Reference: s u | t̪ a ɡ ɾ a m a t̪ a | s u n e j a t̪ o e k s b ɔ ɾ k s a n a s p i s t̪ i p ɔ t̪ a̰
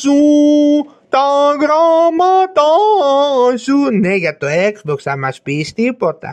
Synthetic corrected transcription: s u | t̪ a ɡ ɾ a m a t̪ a | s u n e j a t̪ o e k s b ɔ k s a m a s p i s t̪ i p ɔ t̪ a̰